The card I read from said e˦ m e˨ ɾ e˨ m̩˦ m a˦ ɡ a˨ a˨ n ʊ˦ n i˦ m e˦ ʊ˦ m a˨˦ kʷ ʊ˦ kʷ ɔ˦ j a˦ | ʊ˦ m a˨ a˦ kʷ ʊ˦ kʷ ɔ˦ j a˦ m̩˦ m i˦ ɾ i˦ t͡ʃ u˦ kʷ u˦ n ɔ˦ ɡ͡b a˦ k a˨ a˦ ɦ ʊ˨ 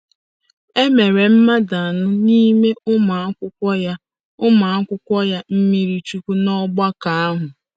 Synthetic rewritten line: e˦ m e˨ ɾ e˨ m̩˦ m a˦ d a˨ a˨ n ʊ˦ n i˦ m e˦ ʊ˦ m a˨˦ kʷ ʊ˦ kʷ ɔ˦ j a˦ | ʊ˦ m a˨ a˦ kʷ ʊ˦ kʷ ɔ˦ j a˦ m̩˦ m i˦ ɾ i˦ t͡ʃ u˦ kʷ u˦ n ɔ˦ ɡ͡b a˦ k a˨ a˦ ɦ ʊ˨